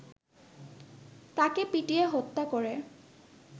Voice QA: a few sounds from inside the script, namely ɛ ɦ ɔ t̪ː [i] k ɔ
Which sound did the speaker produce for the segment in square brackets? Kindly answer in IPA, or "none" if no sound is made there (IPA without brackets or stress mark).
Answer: a